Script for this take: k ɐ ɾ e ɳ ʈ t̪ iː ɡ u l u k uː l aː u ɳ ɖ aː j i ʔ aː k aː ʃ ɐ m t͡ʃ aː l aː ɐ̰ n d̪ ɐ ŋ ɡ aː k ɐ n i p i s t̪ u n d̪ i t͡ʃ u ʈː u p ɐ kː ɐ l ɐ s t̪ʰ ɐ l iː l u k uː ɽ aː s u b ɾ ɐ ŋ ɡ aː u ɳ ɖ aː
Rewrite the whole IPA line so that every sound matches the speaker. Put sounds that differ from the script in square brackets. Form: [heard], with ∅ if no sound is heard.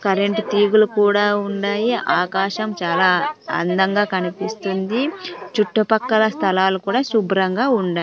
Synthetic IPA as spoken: k ɐ ɾ e ɳ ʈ t̪ iː ɡ u l u k uː [ɽ] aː u ɳ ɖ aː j i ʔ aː k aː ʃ ɐ m t͡ʃ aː l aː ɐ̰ n d̪ ɐ ŋ ɡ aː k ɐ n i p i s t̪ u n d̪ i t͡ʃ u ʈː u p ɐ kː ɐ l ɐ s t̪ʰ ɐ l [aː] l u k uː ɽ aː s u b ɾ ɐ ŋ ɡ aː u ɳ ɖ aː

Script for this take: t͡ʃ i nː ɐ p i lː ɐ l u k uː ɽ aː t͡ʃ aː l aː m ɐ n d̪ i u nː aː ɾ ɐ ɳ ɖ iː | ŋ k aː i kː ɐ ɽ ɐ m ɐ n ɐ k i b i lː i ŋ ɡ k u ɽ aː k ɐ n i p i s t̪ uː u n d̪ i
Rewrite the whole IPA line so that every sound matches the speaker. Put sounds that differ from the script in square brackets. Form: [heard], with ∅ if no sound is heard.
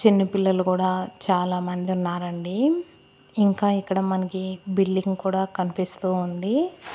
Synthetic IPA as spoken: t͡ʃ i nː ɐ p i lː ɐ l u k uː ɽ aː t͡ʃ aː l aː m ɐ n d̪ i u nː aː ɾ ɐ ɳ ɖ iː | ŋ k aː i kː ɐ ɽ ɐ m ɐ n ɐ k i b i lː i ŋ ɡ k [uː] ɽ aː k ɐ n i p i s t̪ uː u n d̪ i

